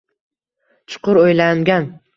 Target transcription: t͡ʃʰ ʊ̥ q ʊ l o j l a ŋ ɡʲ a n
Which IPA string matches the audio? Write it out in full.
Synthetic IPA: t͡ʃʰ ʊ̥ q ʊ ɾ o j l a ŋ ɡʲ a n